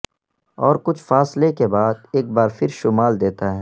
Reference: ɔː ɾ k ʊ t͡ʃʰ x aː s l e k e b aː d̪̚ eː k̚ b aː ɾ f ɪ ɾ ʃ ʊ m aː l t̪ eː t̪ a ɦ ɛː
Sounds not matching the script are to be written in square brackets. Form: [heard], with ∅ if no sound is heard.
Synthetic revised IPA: ɔː ɾ k ʊ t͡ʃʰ [f] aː s l e k e b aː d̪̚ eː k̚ b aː ɾ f ɪ ɾ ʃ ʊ m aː l [d̪] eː t̪ a ɦ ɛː